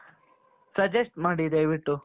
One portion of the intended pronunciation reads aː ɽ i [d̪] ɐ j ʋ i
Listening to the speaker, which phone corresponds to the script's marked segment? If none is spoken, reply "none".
d̪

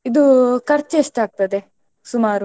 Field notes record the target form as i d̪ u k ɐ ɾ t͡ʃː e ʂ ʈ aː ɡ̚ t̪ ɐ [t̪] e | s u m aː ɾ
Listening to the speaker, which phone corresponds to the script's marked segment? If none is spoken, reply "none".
d̪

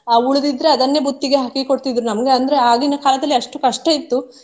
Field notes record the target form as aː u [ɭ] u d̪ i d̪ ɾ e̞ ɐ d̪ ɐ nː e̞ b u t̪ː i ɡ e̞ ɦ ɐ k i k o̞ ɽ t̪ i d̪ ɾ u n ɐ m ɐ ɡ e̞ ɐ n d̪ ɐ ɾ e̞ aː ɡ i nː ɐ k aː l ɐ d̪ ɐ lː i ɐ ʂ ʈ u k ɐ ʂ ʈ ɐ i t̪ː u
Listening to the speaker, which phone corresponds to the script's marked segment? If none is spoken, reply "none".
ɭ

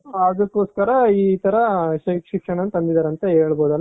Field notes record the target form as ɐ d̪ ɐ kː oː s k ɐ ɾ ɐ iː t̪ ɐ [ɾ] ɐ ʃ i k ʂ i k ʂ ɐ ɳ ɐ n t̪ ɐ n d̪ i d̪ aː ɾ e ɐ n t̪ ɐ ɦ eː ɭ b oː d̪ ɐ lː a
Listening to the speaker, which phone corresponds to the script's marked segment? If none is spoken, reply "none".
ɾ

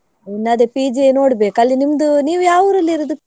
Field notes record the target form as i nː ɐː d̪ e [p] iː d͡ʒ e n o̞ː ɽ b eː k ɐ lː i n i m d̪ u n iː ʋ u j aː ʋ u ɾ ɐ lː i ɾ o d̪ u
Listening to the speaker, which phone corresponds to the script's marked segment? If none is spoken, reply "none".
p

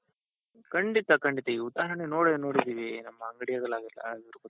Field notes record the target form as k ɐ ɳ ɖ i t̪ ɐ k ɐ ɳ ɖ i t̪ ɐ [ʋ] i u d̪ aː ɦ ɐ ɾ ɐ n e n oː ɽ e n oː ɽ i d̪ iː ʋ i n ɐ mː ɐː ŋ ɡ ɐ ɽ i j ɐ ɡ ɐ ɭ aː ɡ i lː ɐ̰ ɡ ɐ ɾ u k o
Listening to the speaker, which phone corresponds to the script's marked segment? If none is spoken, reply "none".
none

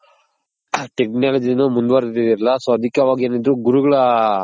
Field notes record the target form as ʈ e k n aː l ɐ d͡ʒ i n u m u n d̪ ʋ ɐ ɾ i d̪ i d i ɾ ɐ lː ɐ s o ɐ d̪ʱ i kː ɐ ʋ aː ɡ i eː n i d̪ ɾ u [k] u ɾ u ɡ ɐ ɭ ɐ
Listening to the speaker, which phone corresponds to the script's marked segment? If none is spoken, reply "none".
ɡ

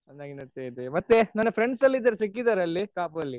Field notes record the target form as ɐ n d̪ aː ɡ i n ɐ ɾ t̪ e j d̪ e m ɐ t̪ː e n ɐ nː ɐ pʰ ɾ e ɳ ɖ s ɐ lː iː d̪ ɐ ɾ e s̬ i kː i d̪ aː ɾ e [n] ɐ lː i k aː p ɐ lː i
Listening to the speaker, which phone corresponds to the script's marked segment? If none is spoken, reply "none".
none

